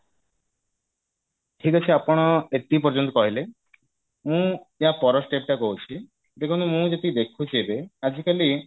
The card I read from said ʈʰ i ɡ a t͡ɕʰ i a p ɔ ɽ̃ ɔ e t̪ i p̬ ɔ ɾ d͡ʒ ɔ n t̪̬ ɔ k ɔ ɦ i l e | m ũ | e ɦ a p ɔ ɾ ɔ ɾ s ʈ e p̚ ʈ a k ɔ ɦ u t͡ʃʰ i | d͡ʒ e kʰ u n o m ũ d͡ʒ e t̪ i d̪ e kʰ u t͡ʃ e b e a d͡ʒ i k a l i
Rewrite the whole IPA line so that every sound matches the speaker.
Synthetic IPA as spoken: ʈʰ i k a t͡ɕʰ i a p ɔ ɽ̃ ɔ e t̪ i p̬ ɔ ɾ d͡ʒ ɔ n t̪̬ ɔ k ɔ ɦ i l e | m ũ | e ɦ a p ɔ ɾ ɔ s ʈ e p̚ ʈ a k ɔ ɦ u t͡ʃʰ i | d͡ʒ e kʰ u n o m ũ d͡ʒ e t̪ i d̪ e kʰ u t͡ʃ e b e a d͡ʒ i k a l i

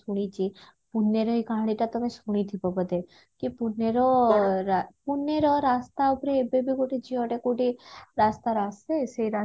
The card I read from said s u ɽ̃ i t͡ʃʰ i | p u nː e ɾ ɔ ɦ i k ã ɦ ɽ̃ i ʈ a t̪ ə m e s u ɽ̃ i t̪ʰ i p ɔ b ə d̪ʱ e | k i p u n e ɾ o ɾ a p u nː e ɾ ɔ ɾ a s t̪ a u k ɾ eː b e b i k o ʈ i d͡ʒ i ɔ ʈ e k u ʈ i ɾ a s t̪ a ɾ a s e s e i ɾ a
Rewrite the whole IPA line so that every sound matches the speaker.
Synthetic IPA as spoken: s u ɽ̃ i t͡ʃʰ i | p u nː e ɾ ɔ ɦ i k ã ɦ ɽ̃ i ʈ a t̪ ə m e s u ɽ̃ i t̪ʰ i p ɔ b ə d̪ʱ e | k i p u n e ɾ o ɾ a p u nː e ɾ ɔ ɾ a s t̪ a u p ɾ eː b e b i k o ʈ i d͡ʒ i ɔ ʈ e k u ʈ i ɾ a s t̪ a ɾ a s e s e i ɾ a

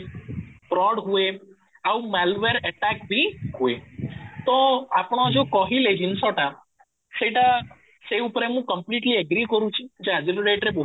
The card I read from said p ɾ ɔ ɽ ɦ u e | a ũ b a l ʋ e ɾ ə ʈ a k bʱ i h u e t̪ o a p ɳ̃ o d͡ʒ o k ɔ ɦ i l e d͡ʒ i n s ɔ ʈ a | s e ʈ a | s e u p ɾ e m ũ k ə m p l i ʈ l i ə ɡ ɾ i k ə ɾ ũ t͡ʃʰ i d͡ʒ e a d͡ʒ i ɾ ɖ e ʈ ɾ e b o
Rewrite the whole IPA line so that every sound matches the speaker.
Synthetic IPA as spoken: p ɾ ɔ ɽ ɦ u e | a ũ m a l ʋ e ɾ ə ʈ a k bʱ i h u e t̪ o a p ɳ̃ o d͡ʒ o k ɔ ɦ i l e d͡ʒ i n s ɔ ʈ a | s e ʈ a | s e u p ɾ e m ũ k ə m p l i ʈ l i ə ɡ ɾ i k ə ɾ ũ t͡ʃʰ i d͡ʒ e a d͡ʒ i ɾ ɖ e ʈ ɾ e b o

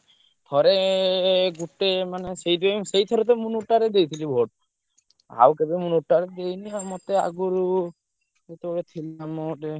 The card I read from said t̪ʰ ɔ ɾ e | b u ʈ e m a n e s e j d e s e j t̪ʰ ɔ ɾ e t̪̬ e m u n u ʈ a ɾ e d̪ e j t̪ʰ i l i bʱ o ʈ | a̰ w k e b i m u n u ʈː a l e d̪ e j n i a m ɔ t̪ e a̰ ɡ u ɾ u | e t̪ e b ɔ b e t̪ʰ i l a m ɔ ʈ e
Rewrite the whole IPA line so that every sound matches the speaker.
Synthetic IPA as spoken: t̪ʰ ɔ ɾ e | ɡ u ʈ e m a n e s e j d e s e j t̪ʰ ɔ ɾ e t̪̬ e m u n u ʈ a ɾ e d̪ e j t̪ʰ i l i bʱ o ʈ | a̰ w k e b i m u n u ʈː a ɾ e d̪ e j n i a m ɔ t̪ e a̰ ɡ u ɾ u | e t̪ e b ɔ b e t̪ʰ i l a m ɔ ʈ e

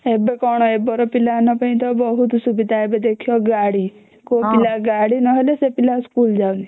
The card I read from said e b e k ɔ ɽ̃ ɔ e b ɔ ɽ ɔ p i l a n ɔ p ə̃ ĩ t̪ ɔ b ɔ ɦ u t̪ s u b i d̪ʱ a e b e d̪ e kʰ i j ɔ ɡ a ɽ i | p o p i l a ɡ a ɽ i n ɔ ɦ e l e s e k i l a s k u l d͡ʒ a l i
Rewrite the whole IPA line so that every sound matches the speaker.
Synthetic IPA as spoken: e b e k ɔ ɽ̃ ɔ e b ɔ ɾ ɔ p i l a n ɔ p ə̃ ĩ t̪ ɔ b ɔ ɦ u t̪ s u b i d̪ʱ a e b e d̪ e kʰ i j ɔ ɡ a ɽ i | k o p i l a ɡ a ɽ i n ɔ ɦ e l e s e p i l a s k u l d͡ʒ a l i

